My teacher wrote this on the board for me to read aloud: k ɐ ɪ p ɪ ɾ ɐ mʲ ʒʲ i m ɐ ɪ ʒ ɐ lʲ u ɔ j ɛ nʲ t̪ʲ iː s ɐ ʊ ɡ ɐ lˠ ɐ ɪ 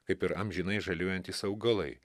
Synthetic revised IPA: k ɐ ɪ p ɪ ɾ ɐ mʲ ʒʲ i n ɐ ɪ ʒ ɐ lʲ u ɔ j ɛ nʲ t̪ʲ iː s ɐ ʊ ɡ ɐ lˠ ɐ ɪ

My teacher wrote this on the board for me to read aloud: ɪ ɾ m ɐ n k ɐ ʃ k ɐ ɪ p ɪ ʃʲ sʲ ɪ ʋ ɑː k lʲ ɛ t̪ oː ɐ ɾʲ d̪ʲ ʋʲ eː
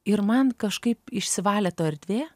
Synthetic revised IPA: ɪ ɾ m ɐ n k ɐ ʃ k ɐ ɪ p ɪ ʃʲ sʲ ɪ ʋ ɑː lʲ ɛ t̪ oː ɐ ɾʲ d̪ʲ ʋʲ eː

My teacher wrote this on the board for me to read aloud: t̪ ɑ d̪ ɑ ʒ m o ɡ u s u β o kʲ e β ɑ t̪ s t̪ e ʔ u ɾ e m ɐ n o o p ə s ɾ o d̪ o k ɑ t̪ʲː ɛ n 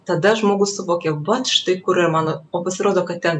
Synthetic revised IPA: t̪ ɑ d̪ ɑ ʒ m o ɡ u s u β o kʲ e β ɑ t̪ ʃ t̪ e k u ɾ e m ɑ n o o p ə s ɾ o d̪ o k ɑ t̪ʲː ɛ n

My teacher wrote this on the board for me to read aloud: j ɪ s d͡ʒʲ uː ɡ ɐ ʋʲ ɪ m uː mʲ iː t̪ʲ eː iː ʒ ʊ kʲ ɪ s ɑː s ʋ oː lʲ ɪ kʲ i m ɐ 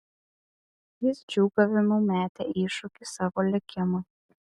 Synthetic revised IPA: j ɪ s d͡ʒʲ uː ɡ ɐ ʋʲ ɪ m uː mʲ æː t̪ʲ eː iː ʃ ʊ kʲ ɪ s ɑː ʋ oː lʲ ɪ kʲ ɪ m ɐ

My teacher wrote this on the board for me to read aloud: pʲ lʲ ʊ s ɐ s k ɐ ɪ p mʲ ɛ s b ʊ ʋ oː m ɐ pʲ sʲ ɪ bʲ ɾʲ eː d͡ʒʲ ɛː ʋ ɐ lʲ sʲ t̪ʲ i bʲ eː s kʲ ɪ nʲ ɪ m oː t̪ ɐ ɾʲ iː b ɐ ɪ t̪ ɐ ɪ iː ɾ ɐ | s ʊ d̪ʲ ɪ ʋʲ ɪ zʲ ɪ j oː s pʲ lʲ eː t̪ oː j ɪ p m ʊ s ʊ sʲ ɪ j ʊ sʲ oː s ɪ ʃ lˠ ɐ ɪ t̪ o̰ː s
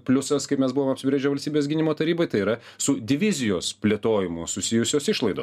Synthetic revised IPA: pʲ lʲ ʊ s ɐ s k ɐ ɪ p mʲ ɛ s b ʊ ʋ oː m ɐ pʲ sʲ ɪ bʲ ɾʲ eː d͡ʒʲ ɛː ʋ ɐ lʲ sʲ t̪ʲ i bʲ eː s ɡʲ ɪ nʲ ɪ m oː t̪ ɐ ɾʲ iː b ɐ ɪ t̪ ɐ ɪ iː ɾ ɐ | s ʊ d̪ʲ ɪ ʋʲ ɪ zʲ ɪ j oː s pʲ lʲ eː t̪ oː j ɪ m ʊ s ʊ sʲ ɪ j ʊ sʲ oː s ɪ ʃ lˠ ɐ ɪ d̪ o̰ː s

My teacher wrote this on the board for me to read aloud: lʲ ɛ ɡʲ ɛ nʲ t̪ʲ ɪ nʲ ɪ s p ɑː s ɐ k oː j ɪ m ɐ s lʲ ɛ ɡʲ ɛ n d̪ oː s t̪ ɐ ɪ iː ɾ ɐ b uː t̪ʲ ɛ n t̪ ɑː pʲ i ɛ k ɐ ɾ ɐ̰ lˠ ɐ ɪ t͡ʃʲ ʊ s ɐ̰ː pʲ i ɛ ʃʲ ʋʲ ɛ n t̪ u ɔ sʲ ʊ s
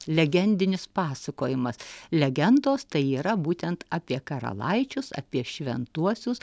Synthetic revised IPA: lʲ ɛ ɡʲ ɛ nʲ d̪ʲ ɪ nʲ ɪ s p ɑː s ɐ k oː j ɪ m ɐ s lʲ ɛ ɡʲ ɛ n d̪ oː s t̪ ɐ ɪ iː ɾ ɐ b uː t̪ʲ ɛ n t̪ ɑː pʲ i ɛ k ɐ ɾ ɐ̰ lˠ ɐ ɪ t͡ʃʲ ʊ s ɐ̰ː pʲ i ɛ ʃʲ ʋʲ ɛ n t̪ u ɔ sʲ ʊ s

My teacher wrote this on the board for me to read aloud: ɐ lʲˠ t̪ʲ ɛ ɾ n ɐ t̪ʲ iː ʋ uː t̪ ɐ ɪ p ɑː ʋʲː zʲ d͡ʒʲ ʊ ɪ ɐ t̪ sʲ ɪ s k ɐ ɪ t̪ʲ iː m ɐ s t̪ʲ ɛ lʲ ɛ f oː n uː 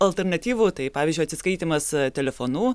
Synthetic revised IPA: ɐ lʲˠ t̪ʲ ɛ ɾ n ɐ t̪ʲ iː ʋ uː t̪ ɐ ɪ p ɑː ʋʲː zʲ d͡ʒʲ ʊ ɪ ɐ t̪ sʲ ɪ s k ɐ ɪ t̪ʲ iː m ɐ s t̪ʲ ɛ lʲ ɛ f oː n uː

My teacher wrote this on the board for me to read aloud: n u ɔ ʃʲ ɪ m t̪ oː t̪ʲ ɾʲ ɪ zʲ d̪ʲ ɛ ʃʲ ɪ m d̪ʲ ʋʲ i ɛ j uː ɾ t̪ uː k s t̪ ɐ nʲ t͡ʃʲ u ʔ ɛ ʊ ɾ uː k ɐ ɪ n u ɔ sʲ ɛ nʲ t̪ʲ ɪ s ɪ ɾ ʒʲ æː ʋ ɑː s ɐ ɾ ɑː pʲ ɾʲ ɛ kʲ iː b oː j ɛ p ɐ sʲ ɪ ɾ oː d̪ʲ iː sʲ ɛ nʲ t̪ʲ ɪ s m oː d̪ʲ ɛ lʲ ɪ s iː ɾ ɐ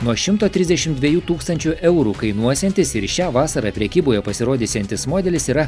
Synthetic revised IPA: n u ɔ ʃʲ ɪ m t̪ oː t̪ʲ ɾʲ ɪ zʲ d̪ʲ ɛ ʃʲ ɪ m d̪ʲ ʋʲ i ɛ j uː t̪ uː k s t̪ ɐ nʲ t͡ʃʲ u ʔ ɛ ʊ ɾ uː k ɐ ɪ n u ɔ sʲ ɛ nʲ t̪ʲ ɪ s ɪ ɾ ʃʲ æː ʋ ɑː s ɐ ɾ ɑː pʲ ɾʲ ɛ kʲ iː b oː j ɛ p ɐ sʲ ɪ ɾ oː d̪ʲ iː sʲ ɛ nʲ t̪ʲ ɪ s m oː d̪ʲ ɛ lʲ ɪ s iː ɾ ɐ

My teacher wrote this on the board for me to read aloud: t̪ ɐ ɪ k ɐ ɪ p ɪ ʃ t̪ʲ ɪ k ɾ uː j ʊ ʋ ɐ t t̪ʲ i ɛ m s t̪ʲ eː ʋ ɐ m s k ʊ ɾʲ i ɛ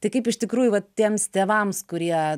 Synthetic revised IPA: t̪ ɐ ɪ k ɐ ɪ p ɪ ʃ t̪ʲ ɪ k ɾ uː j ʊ ʋ ɐ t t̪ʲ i ɛ m s t̪ʲ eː ʋ ɐ m s k ʊ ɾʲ i ɛ

